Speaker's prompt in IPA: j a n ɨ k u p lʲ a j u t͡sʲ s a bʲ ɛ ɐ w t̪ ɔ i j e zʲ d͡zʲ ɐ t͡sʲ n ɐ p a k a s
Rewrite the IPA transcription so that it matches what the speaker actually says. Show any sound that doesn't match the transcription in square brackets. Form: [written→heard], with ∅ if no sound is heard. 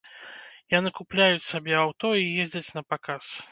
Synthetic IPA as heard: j a n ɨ k u p lʲ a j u t͡sʲ s a bʲ ɛ [ɐ→a] w t̪ ɔ i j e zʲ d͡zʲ ɐ t͡sʲ n ɐ p a k a s